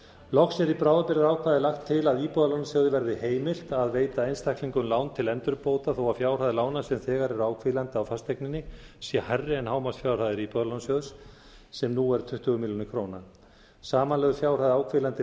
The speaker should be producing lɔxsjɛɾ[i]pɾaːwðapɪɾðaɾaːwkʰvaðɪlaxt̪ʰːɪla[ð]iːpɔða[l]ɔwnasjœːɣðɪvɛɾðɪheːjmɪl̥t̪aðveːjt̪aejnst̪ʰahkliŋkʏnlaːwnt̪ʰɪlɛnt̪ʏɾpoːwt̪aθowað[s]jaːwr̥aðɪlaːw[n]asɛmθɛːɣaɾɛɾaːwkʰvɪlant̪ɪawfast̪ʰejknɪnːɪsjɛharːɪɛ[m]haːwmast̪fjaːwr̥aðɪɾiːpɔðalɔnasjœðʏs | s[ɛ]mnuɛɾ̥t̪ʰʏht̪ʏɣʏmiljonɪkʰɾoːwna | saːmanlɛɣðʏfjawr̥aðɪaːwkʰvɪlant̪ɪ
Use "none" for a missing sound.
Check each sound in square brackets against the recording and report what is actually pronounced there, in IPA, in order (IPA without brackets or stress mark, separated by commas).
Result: i, ð, l, f, n, n, ɛ